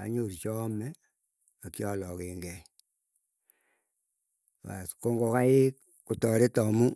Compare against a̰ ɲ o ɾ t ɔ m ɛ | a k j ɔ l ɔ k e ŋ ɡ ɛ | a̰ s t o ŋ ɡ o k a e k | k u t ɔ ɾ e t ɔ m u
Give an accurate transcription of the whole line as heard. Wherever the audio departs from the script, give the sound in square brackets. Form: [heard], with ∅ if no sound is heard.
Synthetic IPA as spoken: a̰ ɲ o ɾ [t͡ʃ] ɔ m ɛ | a k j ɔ l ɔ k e ŋ ɡ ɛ | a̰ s [k] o ŋ ɡ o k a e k | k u t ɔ ɾ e t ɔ m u